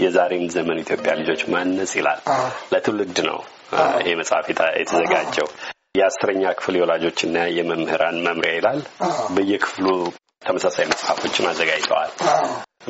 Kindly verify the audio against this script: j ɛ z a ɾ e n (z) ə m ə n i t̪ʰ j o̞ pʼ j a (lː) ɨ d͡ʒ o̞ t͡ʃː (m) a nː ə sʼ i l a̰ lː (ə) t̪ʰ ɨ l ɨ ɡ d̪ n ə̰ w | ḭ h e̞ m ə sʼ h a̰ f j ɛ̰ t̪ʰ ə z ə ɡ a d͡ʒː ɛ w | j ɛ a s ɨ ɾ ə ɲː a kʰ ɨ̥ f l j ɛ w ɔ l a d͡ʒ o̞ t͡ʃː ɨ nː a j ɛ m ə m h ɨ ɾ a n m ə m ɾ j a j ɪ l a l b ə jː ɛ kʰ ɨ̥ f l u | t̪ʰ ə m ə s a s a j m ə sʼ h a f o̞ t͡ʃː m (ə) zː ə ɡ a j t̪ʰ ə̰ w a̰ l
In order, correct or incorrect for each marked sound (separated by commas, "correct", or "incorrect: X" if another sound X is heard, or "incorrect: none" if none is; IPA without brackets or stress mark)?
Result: correct, incorrect: l, correct, correct, incorrect: a